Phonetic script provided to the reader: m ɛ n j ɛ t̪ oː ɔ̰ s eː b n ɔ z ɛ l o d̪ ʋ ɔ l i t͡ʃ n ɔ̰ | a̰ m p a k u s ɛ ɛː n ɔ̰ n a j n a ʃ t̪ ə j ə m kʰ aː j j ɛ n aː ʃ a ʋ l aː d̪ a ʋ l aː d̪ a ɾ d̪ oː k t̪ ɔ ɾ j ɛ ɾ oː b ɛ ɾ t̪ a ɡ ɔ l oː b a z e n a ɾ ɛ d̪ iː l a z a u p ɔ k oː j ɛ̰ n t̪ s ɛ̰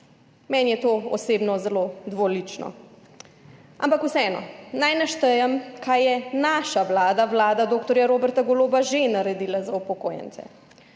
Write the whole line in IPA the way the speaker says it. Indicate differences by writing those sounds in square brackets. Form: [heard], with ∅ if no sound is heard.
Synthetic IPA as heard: m ɛ n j ɛ t̪ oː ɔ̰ s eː b n ɔ z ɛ l o d̪ ʋ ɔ l i t͡ʃ n ɔ̰ | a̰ m p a k u s ɛ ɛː n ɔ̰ n a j n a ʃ t̪ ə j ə m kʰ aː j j ɛ n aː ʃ a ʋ l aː d̪ a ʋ l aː d̪ a [∅] d̪ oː k t̪ ɔ ɾ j [a] ɾ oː b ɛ ɾ t̪ a ɡ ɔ l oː b a [ʒ] e n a ɾ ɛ d̪ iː l a z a u p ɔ k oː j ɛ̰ n t̪ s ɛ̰